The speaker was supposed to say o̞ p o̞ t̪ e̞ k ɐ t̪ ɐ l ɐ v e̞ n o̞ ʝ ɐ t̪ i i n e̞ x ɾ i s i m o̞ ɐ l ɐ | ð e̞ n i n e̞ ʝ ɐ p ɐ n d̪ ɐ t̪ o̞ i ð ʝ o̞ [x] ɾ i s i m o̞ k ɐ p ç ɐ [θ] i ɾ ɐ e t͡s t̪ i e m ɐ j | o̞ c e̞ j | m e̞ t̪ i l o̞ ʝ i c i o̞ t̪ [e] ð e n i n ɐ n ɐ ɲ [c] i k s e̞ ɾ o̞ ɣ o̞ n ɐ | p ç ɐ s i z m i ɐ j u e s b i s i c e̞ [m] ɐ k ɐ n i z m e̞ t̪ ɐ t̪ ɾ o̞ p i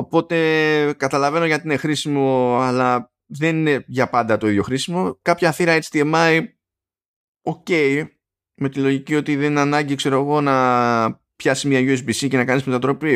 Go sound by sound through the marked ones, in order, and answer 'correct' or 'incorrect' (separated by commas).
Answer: correct, correct, incorrect, incorrect, incorrect